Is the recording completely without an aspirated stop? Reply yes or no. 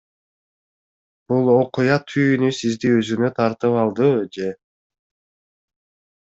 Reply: no